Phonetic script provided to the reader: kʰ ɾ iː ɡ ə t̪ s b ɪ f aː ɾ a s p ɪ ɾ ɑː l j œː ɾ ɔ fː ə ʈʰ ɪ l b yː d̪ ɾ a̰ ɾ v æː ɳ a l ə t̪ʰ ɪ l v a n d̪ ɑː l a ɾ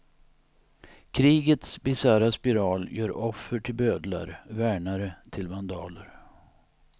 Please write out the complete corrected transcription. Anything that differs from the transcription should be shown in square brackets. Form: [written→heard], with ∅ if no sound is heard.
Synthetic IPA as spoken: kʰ ɾ iː ɡ ə t̪ s b ɪ [f→s] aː ɾ a s p ɪ ɾ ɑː l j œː ɾ ɔ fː ə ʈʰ ɪ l b [yː→øː] d̪ [ɾ→l] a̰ ɾ v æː ɳ a [l→ɾ] ə t̪ʰ ɪ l v a n d̪ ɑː l [a→ə] ɾ

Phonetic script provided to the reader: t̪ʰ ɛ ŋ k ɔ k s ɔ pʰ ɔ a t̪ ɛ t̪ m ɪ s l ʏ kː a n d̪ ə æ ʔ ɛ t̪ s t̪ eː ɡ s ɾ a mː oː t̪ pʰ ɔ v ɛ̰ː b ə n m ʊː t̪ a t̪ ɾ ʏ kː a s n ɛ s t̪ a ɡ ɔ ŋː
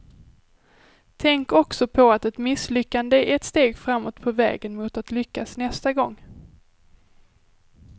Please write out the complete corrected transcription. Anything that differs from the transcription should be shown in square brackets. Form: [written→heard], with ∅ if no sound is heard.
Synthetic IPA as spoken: t̪ʰ ɛ ŋ k ɔ k s ɔ pʰ ɔ a t̪ ɛ t̪ m ɪ s l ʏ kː a n d̪ ə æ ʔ ɛ t̪ s t̪ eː ɡ [s→f] ɾ a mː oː t̪ pʰ ɔ v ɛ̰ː [b→ɡ] ə n m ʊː t̪ a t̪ [ɾ→l] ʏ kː a s n ɛ s t̪ a ɡ ɔ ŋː

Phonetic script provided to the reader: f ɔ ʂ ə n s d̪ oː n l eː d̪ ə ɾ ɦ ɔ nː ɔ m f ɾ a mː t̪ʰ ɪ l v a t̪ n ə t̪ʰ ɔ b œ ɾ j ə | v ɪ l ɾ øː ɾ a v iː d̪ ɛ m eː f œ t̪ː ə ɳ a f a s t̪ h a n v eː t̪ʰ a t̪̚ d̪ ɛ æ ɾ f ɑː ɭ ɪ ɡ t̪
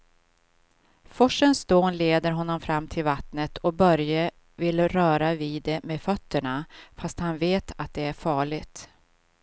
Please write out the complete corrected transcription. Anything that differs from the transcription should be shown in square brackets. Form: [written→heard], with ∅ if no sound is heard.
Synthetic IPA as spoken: f ɔ ʂ ə n s d̪ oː n l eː d̪ ə ɾ ɦ ɔ nː ɔ m f ɾ a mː t̪ʰ ɪ l v a t̪ n ə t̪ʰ ɔ b œ ɾ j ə | v ɪ l ɾ [øː→œː] ɾ a v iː d̪ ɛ m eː f œ t̪ː ə ɳ a f a s t̪ h a n v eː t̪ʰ a t̪̚ d̪ ɛ æ ɾ f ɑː ɭ ɪ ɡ t̪

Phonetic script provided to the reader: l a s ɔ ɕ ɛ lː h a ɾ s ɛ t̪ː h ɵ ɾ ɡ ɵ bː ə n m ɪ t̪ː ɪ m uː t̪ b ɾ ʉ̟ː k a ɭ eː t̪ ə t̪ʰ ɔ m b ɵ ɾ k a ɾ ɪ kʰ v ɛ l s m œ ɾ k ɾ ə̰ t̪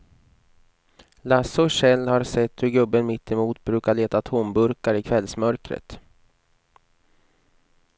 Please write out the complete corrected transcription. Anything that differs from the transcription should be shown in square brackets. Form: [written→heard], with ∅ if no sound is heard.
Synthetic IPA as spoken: l a s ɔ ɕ ɛ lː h a ɾ s ɛ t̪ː h ɵ ɾ ɡ ɵ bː ə n m ɪ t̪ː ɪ m uː t̪ b ɾ ʉ̟ː k a ɭ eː t̪ [ə→a] t̪ʰ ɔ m b ɵ ɾ k a ɾ ɪ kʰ v ɛ l s m œ ɾ k ɾ ə̰ t̪

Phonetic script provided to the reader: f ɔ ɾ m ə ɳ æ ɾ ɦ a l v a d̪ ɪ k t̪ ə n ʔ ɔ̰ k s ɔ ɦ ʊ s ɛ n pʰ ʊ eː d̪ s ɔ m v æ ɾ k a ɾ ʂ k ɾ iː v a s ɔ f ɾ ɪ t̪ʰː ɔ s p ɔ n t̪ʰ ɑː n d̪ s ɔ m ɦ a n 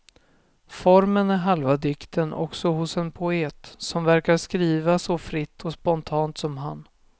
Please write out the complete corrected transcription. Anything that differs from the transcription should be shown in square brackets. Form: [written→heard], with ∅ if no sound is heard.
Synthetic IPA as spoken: f ɔ ɾ m ə [ɳ→n] æ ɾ ɦ a l v a d̪ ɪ k t̪ ə n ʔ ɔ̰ k s ɔ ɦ ʊ s ɛ n pʰ ʊ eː [d̪→t̪] s ɔ m v æ ɾ k a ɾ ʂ k ɾ iː v a s ɔ f ɾ ɪ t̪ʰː ɔ s p ɔ n t̪ʰ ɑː n [d̪→t̪] s ɔ m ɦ a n

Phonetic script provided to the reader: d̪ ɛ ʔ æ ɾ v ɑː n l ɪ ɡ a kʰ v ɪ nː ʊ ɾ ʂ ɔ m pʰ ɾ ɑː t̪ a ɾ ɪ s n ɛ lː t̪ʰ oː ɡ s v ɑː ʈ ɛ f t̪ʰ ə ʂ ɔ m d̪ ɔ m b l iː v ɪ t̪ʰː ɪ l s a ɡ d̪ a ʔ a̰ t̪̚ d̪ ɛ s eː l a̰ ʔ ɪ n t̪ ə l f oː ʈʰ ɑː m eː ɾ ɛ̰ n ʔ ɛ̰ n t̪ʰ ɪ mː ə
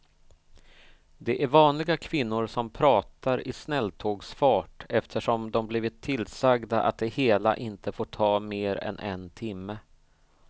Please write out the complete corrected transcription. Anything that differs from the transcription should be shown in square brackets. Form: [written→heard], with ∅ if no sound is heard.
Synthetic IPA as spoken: d̪ ɛ ʔ æ ɾ v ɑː n l ɪ ɡ a kʰ v ɪ nː ʊ ɾ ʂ ɔ m pʰ ɾ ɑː t̪ a ɾ ɪ s n ɛ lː t̪ʰ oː ɡ s [v→f] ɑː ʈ ɛ f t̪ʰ ə ʂ ɔ m d̪ ɔ m b l iː v ɪ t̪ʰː ɪ l s a ɡ d̪ a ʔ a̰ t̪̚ d̪ ɛ [s→h] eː l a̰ ʔ ɪ n t̪ ə [l→∅] f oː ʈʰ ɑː m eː ɾ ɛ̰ n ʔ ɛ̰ n t̪ʰ ɪ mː ə

